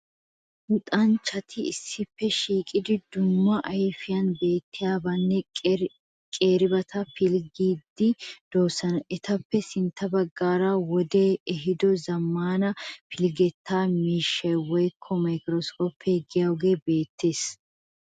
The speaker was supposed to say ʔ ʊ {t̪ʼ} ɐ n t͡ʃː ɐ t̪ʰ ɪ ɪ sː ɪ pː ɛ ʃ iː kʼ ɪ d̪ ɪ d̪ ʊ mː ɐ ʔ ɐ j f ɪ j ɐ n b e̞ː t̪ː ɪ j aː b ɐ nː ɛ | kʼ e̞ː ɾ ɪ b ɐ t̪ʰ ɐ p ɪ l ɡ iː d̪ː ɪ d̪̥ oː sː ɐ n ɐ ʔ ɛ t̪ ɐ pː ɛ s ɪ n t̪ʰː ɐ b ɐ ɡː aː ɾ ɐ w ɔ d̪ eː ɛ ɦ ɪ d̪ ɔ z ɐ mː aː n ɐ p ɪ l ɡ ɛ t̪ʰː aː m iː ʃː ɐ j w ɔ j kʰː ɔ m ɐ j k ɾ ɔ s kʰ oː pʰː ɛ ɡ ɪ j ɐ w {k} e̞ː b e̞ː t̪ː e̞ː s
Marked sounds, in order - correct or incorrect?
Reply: correct, incorrect: ɡ

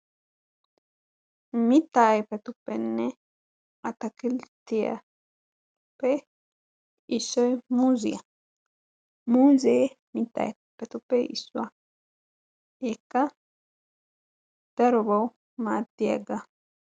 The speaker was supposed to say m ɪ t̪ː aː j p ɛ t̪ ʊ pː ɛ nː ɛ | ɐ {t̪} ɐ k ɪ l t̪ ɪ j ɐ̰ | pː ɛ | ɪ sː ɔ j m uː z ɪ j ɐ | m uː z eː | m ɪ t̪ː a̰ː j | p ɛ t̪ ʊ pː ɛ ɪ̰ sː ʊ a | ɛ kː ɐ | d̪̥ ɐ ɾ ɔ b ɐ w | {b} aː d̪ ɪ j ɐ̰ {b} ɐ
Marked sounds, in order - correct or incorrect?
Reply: correct, incorrect: m, incorrect: ɡ

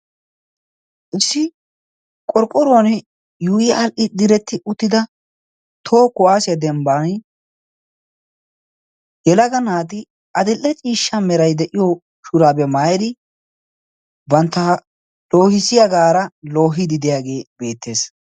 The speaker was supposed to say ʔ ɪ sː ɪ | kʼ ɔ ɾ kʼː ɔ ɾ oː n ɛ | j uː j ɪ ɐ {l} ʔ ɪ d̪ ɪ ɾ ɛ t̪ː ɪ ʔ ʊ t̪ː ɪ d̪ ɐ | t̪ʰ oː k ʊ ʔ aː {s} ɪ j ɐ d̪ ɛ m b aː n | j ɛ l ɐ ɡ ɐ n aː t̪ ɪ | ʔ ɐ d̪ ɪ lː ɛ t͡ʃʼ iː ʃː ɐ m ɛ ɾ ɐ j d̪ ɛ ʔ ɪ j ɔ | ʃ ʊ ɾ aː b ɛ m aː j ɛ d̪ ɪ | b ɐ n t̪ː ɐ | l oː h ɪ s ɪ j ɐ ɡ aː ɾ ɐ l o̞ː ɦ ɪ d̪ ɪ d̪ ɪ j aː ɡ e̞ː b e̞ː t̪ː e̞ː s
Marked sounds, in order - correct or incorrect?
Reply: correct, correct

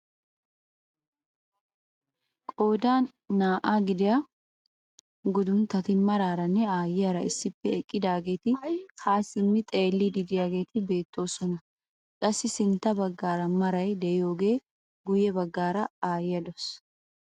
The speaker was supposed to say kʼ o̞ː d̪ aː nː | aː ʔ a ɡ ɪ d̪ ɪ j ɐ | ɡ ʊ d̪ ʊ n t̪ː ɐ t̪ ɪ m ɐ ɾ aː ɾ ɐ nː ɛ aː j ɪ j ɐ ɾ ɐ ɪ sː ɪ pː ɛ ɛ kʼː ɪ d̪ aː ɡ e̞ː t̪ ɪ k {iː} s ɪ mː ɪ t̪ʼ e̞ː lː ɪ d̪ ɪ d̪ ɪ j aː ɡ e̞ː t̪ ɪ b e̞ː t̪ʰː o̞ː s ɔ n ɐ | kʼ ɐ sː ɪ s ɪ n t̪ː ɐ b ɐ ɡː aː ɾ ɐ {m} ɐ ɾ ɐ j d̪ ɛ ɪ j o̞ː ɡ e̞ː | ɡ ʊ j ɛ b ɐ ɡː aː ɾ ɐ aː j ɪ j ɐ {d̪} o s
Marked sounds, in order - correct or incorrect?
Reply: incorrect: aː, correct, correct

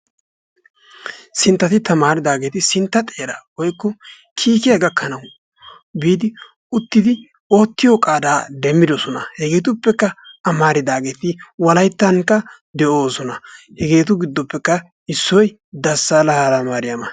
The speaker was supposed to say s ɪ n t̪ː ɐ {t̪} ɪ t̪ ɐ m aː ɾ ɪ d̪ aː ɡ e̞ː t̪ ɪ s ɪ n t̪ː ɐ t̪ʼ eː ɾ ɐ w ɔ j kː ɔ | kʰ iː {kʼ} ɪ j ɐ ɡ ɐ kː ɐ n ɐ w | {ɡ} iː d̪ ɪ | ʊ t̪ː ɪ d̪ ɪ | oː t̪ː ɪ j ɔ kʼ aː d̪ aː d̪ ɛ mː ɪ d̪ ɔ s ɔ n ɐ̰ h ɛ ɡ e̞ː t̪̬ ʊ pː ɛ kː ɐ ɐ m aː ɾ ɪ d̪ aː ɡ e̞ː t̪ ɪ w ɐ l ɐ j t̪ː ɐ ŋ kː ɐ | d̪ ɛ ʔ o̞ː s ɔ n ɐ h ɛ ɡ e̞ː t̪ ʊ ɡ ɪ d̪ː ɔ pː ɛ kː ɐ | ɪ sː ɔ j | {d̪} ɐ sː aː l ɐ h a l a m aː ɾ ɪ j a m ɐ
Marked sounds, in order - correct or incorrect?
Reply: correct, incorrect: k, incorrect: b, correct

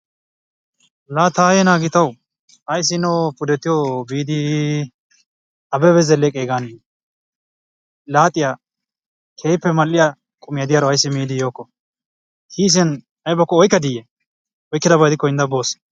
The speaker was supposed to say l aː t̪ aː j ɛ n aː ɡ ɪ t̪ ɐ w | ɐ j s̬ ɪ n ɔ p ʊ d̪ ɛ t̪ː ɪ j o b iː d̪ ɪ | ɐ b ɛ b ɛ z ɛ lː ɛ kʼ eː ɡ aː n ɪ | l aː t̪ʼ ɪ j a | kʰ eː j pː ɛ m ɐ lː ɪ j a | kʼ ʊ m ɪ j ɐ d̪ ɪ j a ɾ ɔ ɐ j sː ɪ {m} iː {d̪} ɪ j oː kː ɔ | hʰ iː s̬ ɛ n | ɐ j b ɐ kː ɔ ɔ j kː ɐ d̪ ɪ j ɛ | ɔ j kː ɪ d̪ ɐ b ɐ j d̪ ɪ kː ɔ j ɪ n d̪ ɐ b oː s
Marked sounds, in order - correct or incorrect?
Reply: correct, correct

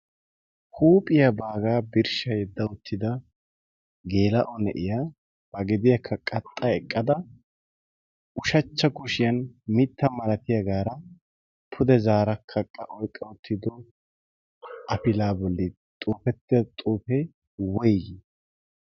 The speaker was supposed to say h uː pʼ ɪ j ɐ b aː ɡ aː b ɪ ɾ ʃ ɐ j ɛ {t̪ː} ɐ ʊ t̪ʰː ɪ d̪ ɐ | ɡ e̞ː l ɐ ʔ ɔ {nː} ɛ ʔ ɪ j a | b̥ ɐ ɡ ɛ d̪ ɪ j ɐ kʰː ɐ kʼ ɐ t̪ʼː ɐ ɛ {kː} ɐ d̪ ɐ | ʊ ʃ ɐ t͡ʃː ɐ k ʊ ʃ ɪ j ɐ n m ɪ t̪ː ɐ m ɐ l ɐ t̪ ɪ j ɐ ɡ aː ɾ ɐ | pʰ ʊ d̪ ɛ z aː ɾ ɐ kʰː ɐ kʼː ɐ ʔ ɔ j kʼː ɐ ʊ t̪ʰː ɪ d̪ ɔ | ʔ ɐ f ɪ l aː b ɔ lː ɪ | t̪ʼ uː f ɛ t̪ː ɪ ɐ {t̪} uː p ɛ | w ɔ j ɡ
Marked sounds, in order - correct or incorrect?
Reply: incorrect: d̪ː, incorrect: n, incorrect: kʼː, incorrect: t̪ʼ

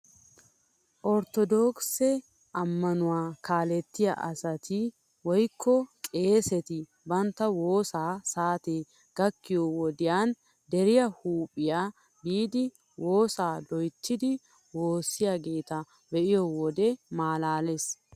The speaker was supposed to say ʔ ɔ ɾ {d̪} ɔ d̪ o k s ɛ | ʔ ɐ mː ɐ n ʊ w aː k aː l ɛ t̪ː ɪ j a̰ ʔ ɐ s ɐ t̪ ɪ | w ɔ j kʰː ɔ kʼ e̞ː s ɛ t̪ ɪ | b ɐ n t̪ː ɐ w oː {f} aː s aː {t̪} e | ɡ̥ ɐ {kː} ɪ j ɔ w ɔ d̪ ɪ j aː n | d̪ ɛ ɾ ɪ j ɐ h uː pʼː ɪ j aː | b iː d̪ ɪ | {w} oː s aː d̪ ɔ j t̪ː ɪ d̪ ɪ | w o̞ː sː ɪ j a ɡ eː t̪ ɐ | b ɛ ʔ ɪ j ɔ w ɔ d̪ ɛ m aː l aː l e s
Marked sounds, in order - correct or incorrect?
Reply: incorrect: t̪, incorrect: s, correct, correct, correct

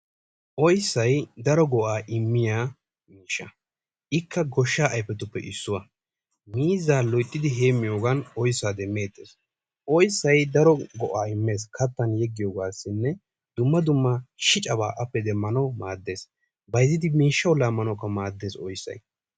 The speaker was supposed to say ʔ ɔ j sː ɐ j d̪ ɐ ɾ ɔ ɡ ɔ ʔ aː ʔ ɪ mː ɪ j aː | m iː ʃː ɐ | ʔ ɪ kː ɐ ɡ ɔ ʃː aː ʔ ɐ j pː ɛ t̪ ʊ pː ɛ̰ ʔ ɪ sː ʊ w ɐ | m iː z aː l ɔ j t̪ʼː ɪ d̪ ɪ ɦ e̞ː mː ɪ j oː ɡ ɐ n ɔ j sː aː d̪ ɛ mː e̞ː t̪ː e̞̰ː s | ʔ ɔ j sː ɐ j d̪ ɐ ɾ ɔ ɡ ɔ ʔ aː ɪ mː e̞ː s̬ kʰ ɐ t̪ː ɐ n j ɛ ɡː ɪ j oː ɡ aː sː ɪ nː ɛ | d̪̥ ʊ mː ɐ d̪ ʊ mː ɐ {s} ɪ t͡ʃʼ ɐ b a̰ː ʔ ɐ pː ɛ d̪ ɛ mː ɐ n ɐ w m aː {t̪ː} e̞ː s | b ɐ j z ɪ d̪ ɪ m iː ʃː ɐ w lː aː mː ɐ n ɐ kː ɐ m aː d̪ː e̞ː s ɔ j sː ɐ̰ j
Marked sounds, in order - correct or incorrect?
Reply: incorrect: ʃ, incorrect: d̪ː

